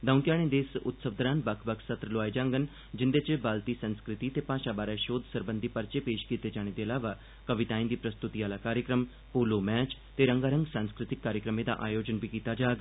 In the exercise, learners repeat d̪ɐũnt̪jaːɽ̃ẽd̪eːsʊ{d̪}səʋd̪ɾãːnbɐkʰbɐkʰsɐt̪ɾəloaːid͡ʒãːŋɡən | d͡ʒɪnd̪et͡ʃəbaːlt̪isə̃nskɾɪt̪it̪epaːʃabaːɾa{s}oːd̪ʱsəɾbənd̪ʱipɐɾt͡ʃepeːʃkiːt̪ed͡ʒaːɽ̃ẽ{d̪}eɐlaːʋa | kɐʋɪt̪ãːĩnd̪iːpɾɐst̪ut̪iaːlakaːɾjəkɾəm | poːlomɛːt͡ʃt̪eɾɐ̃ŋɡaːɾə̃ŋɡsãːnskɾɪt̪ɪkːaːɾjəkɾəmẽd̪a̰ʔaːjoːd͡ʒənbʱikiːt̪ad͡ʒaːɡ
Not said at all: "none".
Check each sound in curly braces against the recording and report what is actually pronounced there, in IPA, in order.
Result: t̪, ʃ, d̪

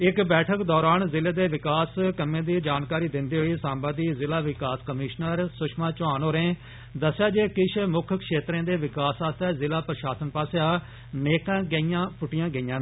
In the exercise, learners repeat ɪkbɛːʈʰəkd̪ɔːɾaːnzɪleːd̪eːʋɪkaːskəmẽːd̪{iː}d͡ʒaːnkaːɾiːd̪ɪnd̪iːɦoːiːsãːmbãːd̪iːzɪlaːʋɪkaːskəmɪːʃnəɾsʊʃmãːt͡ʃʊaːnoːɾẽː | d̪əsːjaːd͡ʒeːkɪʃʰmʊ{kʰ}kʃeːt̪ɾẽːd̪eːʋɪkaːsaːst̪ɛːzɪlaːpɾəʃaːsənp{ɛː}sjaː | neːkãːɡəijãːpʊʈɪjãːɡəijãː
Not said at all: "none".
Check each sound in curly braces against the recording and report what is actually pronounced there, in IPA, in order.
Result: iː, kʰ, aː

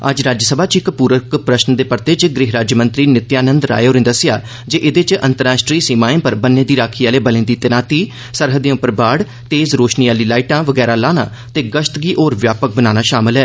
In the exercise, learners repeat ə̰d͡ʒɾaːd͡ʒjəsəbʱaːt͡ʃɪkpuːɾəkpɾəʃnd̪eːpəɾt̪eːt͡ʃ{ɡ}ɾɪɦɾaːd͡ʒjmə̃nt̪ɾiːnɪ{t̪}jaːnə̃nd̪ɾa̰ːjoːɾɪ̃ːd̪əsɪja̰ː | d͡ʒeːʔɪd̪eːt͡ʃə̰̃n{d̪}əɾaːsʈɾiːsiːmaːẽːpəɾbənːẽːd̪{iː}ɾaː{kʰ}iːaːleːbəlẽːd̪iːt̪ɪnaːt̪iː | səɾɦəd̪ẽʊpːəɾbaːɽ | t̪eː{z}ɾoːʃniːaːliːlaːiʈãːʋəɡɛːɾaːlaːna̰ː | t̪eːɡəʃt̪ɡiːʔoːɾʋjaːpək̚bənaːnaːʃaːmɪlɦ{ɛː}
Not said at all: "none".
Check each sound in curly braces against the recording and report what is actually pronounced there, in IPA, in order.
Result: ɡ, t̪, t̪, iː, kʰ, z, ɛː

